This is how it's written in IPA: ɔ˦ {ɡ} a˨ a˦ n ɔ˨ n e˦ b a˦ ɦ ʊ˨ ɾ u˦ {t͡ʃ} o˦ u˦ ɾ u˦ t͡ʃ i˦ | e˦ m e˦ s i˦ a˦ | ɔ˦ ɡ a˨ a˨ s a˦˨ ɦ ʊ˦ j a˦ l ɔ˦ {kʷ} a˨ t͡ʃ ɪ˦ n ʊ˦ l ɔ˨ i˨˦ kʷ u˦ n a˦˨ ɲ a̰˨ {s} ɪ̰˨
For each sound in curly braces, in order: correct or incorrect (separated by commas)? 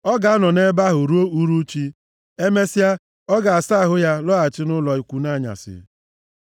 correct, incorrect, incorrect, correct